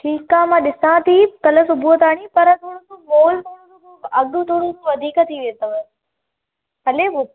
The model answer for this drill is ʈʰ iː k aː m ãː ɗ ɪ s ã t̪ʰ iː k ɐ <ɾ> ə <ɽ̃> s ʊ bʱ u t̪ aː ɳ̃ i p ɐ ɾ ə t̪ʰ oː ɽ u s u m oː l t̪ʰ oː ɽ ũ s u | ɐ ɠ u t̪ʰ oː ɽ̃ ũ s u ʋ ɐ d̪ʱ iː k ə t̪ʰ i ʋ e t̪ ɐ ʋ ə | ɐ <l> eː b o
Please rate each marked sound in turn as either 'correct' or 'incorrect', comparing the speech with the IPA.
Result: incorrect: l, incorrect: none, correct

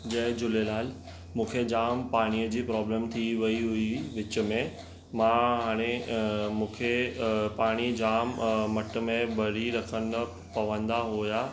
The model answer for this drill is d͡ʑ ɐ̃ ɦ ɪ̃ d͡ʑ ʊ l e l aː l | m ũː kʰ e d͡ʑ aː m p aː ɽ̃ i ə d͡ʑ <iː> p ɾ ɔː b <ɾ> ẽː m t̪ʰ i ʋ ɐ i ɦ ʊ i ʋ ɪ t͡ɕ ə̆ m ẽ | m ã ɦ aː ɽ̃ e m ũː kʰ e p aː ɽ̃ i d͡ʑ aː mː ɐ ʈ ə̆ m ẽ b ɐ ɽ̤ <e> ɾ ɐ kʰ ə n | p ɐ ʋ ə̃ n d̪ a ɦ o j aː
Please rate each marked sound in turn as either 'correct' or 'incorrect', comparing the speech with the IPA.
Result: correct, incorrect: l, incorrect: i

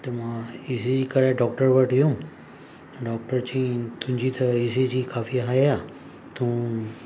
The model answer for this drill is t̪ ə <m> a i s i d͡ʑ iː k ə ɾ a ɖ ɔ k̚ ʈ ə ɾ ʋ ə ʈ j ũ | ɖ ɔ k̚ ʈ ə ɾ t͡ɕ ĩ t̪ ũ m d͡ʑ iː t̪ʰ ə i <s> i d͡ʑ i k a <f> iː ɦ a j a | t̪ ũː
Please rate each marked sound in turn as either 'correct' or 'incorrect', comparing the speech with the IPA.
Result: correct, correct, correct

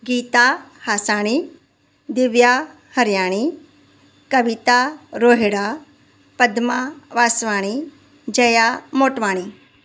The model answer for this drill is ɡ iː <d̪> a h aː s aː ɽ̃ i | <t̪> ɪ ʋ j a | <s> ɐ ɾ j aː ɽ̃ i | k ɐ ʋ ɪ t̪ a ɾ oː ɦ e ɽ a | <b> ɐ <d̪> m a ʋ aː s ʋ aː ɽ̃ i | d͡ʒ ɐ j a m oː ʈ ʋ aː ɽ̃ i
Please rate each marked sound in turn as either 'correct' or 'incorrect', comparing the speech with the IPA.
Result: incorrect: t̪, incorrect: d̪, incorrect: h, incorrect: p, correct

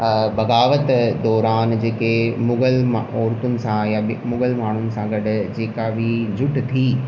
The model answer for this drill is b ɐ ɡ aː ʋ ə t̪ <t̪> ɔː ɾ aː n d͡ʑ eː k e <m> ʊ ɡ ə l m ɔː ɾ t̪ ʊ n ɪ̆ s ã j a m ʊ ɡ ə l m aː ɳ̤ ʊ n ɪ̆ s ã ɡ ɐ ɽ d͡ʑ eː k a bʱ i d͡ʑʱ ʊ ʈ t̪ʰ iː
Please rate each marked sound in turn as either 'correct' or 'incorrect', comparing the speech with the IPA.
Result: incorrect: d̪, correct

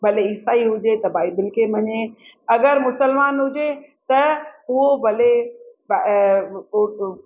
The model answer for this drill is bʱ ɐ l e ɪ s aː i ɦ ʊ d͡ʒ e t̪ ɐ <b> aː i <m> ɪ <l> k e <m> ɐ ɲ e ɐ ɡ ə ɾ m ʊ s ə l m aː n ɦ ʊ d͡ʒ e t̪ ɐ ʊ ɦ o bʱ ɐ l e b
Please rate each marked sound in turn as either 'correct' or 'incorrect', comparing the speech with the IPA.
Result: correct, incorrect: b, correct, correct

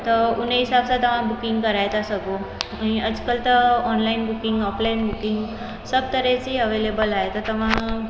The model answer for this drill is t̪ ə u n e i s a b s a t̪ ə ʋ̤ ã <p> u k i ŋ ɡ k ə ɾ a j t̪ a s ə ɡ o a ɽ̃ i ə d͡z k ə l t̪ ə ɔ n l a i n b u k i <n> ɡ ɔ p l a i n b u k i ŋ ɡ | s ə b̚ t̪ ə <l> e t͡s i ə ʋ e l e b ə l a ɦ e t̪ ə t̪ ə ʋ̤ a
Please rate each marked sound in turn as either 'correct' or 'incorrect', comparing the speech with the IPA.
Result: incorrect: b, incorrect: ŋ, incorrect: ɾ

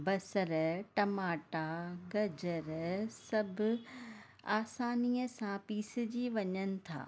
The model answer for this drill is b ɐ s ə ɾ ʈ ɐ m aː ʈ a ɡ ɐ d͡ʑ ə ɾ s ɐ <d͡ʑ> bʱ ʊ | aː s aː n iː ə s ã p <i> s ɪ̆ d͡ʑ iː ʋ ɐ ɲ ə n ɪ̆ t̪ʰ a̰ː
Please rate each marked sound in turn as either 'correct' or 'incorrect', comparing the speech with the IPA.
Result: incorrect: none, incorrect: iː

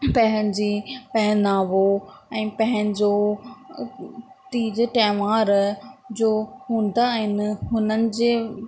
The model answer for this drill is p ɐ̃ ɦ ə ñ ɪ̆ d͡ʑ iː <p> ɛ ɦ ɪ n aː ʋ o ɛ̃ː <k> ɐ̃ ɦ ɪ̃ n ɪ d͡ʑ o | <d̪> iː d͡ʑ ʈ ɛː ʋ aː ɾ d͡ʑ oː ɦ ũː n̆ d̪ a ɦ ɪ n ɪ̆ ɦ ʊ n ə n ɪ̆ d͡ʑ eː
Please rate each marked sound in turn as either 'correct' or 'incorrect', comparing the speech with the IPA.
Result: correct, incorrect: p, incorrect: t̪

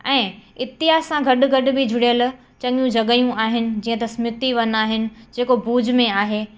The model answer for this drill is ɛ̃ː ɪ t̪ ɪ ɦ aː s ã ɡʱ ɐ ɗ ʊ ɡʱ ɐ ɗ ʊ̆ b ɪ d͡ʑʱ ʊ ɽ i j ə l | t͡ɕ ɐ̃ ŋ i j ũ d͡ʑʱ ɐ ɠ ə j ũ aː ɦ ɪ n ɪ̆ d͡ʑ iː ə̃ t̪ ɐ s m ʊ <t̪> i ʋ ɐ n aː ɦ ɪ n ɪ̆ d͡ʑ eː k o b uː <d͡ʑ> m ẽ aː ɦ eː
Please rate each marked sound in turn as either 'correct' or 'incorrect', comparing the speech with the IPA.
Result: correct, correct

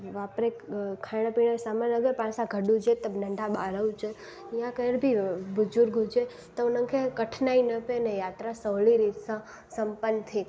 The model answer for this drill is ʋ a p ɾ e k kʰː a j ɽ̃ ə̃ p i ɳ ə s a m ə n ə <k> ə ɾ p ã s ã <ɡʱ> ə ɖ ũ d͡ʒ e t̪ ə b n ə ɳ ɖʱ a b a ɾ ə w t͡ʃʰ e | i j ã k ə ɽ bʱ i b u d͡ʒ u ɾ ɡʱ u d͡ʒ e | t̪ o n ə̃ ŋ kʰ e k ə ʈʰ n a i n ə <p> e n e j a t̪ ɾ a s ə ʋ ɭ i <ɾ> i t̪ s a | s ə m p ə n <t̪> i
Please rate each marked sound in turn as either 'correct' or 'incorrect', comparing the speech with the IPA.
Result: incorrect: ɡ, correct, correct, correct, incorrect: t̪ʰ

